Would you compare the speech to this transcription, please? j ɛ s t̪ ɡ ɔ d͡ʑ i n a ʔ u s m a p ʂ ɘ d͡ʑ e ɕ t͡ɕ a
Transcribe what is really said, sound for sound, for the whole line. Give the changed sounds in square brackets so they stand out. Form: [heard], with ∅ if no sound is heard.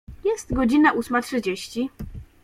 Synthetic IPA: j ɛ s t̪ ɡ ɔ d͡ʑ i n a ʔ u s m a [t] ʂ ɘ d͡ʑ e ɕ t͡ɕ [i]